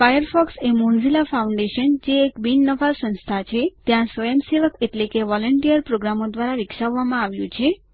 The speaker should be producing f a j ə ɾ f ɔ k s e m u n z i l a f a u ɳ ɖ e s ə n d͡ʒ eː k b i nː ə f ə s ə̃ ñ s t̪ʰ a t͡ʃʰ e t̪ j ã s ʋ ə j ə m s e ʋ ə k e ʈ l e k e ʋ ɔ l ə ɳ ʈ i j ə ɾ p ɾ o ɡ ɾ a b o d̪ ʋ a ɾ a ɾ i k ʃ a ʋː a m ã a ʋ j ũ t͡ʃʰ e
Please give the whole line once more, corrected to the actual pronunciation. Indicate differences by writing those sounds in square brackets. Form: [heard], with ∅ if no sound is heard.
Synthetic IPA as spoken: f a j ə ɾ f ɔ k s e m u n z i l a f a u ɳ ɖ e [ʃ] ə n d͡ʒ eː k b i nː ə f [a] s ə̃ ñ s t̪ʰ a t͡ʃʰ e t̪ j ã s ʋ ə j ə m s e ʋ ə k e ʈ l e k e ʋ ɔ l ə ɳ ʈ i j ə ɾ p ɾ o ɡ ɾ a [m] o d̪ ʋ a ɾ a ɾ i k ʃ a ʋː a m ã a ʋ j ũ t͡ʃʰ e